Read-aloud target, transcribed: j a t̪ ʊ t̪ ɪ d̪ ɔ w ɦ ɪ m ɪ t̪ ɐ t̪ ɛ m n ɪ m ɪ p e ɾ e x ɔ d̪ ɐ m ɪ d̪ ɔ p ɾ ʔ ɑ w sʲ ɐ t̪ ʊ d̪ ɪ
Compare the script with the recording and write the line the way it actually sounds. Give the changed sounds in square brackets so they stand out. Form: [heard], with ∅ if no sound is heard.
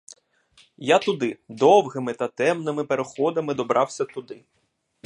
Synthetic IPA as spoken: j a t̪ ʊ [d̪] ɪ d̪ ɔ w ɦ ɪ m ɪ t̪ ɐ t̪ ɛ m n ɪ m ɪ p e ɾ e x ɔ d̪ ɐ m ɪ d̪ ɔ [b] ɾ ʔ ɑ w sʲ ɐ t̪ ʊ d̪ ɪ